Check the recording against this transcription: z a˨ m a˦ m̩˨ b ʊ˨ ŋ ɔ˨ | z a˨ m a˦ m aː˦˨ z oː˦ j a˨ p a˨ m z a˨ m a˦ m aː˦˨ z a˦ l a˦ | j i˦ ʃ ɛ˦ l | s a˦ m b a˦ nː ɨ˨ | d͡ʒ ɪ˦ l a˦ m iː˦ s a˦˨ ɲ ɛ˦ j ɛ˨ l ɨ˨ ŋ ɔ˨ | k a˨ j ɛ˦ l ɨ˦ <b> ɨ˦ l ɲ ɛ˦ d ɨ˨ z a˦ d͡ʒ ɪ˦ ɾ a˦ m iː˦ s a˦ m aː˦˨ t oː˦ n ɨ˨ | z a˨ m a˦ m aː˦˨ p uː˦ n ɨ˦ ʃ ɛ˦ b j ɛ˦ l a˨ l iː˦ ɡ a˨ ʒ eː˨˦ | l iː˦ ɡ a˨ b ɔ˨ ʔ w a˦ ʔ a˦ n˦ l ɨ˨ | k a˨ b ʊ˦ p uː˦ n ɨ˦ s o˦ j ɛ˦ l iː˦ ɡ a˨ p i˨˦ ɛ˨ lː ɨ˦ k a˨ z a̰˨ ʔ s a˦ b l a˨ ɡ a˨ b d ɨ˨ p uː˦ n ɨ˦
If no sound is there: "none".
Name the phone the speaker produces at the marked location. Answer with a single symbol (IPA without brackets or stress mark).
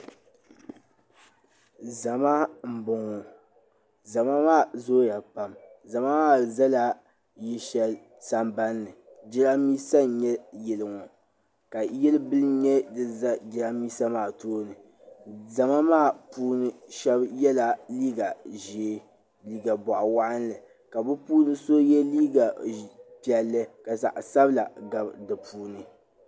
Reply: b